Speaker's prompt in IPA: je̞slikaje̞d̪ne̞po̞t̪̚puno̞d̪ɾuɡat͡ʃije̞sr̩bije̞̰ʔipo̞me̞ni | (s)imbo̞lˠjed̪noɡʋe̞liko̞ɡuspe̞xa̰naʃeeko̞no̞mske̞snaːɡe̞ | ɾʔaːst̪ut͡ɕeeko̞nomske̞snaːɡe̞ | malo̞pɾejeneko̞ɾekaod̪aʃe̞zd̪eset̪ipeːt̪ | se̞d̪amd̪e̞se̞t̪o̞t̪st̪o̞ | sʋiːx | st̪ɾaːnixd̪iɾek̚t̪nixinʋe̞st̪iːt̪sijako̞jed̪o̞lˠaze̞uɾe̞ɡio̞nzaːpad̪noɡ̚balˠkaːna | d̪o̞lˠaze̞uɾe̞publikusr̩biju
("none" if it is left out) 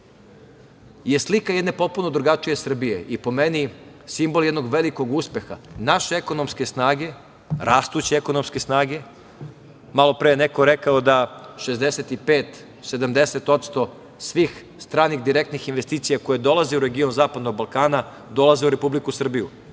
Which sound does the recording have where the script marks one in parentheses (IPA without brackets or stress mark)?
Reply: s